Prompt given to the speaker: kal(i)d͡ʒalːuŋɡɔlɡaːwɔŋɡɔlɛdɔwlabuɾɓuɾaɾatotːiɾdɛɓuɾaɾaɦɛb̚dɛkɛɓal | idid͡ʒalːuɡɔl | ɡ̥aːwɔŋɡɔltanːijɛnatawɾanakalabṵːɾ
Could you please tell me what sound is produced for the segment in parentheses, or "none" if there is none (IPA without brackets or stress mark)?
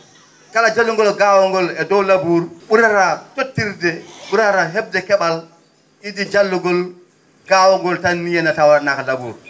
a